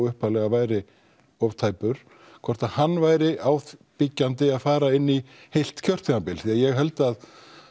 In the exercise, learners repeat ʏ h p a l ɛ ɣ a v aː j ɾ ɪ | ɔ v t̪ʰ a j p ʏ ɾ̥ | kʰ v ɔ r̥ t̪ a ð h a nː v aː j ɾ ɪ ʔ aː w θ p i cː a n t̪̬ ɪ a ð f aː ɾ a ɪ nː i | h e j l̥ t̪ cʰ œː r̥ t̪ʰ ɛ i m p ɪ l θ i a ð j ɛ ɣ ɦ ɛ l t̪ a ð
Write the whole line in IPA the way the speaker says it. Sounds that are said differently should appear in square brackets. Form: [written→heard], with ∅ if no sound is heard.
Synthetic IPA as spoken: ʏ h p a l ɛ ɣ a v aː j ɾ ɪ | ɔ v t̪ʰ a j p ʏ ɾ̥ | kʰ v ɔ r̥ t̪ a ð h a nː v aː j ɾ ɪ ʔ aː w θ p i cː a n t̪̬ ɪ a ð f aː ɾ a ɪ nː i | h e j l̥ t̪ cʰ [œː→œ] r̥ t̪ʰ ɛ [i→a] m p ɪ l θ i a ð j ɛ ɣ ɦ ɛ l t̪ a ð